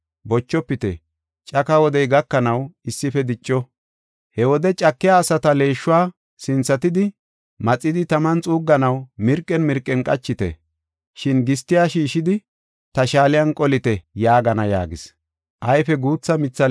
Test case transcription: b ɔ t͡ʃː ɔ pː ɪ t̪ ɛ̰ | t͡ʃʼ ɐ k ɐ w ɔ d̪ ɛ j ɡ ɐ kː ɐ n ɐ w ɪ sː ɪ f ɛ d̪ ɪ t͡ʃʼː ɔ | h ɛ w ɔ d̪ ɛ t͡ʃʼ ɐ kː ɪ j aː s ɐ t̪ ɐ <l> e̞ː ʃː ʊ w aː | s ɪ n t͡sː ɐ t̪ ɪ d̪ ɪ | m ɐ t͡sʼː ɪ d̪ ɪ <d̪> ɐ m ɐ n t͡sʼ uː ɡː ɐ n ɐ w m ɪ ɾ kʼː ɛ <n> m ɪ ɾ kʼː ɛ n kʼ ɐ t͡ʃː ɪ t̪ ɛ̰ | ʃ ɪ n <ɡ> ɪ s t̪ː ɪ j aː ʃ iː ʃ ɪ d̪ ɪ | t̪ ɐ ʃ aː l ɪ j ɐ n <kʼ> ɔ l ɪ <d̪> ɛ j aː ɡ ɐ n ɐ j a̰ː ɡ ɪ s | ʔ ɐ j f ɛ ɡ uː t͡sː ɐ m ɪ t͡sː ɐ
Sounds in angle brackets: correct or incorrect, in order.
correct, incorrect, correct, correct, correct, incorrect

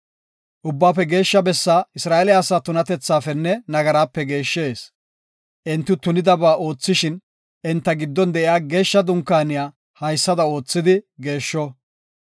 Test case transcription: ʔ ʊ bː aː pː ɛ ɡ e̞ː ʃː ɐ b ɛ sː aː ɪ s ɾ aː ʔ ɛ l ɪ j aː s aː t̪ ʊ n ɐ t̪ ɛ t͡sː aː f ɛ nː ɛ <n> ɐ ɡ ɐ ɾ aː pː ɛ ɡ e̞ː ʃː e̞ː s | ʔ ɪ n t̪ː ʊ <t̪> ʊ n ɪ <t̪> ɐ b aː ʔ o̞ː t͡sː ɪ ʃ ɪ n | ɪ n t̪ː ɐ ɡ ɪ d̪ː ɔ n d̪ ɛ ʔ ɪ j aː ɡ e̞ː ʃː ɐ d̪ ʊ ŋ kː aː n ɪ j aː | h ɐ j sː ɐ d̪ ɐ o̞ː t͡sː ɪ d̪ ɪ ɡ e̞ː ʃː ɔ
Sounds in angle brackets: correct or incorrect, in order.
correct, correct, incorrect

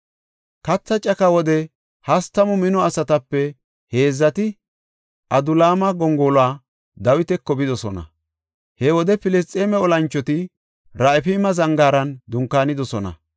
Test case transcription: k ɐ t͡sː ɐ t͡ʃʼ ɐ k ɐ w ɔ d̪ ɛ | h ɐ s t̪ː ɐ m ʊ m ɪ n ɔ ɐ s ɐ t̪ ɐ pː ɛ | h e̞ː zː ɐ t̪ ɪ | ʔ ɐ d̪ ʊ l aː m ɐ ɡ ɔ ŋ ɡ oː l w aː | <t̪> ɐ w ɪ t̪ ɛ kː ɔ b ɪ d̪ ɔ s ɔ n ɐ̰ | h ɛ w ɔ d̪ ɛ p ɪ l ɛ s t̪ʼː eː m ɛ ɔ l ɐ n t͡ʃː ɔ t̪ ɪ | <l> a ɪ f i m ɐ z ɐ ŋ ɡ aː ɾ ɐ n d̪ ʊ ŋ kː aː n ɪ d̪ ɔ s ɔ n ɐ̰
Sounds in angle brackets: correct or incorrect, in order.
incorrect, incorrect

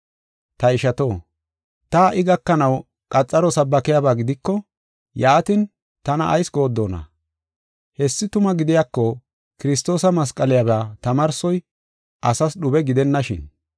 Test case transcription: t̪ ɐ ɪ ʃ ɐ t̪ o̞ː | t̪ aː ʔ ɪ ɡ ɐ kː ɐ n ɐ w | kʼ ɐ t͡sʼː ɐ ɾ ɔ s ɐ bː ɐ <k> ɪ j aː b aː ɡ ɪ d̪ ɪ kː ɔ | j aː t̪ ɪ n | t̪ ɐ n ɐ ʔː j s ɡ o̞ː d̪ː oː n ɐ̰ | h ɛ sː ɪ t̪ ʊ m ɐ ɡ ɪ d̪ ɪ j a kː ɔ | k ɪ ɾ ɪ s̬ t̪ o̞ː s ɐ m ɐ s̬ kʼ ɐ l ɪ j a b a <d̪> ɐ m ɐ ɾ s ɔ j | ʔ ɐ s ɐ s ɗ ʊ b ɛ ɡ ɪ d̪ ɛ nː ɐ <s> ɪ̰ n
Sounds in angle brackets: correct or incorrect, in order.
correct, incorrect, incorrect

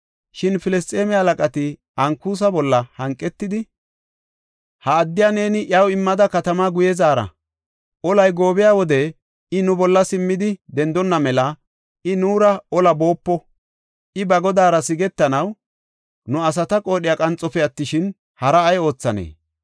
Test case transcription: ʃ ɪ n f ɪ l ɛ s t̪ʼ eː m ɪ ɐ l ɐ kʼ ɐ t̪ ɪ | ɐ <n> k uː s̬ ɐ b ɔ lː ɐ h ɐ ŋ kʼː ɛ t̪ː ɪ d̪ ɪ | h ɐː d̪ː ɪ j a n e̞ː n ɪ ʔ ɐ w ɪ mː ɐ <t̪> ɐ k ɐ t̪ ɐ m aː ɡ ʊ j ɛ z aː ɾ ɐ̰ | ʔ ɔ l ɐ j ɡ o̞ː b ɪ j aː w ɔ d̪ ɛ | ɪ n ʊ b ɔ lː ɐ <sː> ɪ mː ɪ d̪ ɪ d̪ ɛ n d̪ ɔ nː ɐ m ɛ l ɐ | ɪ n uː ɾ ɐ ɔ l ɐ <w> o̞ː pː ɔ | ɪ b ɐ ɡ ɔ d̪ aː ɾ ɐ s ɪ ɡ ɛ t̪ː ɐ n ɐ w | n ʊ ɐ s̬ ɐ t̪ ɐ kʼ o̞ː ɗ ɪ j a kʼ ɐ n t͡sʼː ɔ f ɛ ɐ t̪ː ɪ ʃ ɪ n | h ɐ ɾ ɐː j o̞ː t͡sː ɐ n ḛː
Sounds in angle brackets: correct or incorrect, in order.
incorrect, incorrect, incorrect, incorrect

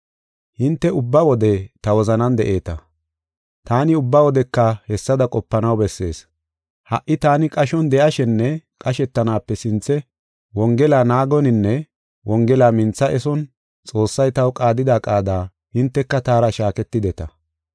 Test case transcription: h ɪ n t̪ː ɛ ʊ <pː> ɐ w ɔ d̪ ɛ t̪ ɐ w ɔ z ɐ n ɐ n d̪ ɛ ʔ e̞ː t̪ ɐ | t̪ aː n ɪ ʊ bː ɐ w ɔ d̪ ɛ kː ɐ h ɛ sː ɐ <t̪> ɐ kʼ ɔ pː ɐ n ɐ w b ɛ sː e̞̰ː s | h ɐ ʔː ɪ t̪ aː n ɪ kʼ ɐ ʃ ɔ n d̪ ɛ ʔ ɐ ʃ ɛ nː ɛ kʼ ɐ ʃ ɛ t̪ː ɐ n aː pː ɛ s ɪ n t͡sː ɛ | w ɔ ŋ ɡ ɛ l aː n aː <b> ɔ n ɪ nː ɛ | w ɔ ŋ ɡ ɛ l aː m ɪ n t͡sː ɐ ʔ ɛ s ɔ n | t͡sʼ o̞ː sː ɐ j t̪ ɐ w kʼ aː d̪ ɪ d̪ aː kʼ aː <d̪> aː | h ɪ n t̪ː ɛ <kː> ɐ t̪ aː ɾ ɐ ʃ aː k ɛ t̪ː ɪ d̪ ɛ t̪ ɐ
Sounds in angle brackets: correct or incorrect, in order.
incorrect, incorrect, incorrect, correct, correct

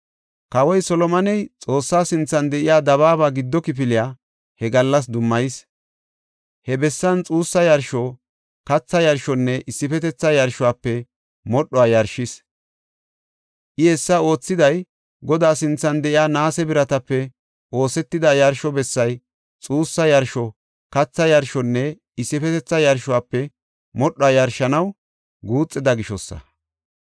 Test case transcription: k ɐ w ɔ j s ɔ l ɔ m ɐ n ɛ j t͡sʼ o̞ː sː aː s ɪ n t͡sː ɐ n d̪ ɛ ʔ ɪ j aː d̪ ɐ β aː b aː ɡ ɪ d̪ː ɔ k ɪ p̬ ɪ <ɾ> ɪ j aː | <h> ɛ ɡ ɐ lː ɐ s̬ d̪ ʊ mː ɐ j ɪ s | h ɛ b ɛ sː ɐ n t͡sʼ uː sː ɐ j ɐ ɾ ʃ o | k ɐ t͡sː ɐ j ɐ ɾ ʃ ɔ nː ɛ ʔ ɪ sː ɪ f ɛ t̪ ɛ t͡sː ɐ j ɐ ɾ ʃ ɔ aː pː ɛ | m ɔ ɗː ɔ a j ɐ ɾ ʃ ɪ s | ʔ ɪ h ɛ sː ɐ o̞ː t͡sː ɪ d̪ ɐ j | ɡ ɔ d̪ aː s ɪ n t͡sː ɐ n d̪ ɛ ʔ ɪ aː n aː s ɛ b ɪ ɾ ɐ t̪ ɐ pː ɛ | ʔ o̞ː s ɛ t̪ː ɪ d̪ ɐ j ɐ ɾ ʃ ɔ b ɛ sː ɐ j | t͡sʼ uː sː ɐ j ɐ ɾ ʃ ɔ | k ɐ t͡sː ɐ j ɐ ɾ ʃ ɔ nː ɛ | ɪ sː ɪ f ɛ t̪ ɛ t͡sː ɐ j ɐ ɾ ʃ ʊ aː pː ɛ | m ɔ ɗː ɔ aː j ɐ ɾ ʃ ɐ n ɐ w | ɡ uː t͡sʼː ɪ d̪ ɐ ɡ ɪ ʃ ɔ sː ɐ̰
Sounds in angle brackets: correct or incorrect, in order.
incorrect, correct

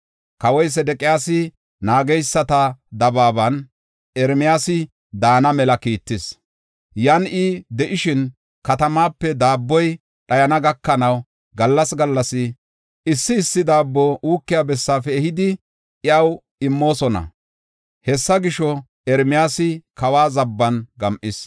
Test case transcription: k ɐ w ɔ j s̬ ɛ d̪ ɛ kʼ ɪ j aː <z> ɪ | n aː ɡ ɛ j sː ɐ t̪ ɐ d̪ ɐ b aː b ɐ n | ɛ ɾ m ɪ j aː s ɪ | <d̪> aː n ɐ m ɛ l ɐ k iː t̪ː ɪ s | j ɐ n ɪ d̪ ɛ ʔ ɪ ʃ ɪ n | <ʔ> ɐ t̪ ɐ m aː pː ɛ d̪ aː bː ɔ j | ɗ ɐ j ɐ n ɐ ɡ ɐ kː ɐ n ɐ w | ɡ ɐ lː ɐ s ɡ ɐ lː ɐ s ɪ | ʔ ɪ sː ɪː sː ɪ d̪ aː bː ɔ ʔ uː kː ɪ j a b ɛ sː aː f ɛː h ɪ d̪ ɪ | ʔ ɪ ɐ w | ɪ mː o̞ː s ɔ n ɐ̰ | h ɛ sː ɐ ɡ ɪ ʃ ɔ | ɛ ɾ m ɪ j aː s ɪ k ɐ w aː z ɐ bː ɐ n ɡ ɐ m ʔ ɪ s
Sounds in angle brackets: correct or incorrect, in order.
incorrect, correct, incorrect

